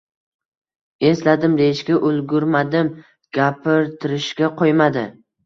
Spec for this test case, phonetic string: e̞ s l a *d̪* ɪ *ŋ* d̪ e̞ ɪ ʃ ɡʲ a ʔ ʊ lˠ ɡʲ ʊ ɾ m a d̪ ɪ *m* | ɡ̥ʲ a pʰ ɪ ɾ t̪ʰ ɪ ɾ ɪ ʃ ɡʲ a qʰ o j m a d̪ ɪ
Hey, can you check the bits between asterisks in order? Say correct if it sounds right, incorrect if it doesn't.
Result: correct, incorrect: m, correct

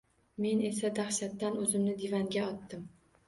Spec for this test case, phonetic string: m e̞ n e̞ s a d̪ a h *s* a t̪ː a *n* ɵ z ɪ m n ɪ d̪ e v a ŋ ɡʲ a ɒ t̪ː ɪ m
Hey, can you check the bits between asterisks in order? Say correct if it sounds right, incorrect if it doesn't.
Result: incorrect: ʃ, correct

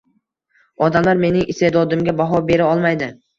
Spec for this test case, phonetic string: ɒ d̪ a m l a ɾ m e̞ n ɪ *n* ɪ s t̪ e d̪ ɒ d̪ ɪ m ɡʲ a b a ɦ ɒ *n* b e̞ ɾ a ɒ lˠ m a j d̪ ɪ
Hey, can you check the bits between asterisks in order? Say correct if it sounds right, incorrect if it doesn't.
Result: incorrect: ŋ, incorrect: none

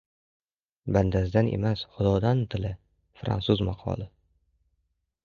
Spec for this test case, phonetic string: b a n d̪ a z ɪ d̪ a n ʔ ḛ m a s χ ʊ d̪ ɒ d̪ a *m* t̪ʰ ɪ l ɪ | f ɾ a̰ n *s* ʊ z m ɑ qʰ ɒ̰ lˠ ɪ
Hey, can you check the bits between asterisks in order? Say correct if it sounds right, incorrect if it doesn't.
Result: incorrect: n, correct

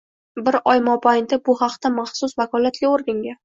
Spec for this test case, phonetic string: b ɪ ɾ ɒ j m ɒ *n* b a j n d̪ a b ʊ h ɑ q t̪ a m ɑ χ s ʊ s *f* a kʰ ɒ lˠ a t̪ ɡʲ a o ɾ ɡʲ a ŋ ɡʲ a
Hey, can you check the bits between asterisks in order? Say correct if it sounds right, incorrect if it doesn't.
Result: incorrect: none, incorrect: v

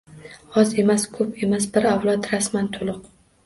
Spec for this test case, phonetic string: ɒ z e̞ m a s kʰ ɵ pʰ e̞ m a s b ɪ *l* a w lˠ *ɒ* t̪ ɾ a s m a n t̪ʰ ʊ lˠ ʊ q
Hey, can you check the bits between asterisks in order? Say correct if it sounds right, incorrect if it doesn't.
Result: incorrect: ɾ, correct

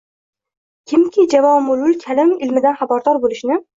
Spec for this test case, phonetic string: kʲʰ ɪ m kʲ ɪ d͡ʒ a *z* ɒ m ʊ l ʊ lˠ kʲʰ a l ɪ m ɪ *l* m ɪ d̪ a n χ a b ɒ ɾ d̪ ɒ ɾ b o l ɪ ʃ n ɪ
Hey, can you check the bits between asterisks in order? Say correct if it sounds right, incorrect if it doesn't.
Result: incorrect: v, correct

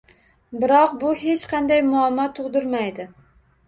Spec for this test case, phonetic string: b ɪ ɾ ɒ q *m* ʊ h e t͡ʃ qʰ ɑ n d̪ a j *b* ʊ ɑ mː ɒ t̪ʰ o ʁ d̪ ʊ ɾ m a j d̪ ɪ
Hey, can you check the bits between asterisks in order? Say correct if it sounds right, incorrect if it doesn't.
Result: incorrect: b, incorrect: m

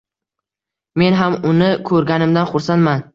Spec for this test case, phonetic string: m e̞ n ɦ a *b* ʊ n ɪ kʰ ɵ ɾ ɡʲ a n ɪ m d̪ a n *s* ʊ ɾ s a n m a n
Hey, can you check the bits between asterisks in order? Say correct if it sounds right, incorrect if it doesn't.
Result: incorrect: m, incorrect: χ

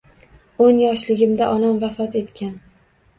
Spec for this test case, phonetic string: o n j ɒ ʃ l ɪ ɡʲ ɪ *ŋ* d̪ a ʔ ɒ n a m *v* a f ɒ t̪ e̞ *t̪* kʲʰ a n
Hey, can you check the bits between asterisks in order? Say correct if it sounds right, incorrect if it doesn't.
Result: incorrect: m, correct, correct

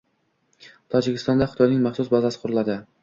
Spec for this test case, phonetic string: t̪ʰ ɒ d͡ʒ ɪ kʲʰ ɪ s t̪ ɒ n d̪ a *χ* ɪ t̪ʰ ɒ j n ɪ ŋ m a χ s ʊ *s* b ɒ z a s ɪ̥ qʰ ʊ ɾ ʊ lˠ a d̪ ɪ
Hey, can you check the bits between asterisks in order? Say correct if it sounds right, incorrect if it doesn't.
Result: correct, correct

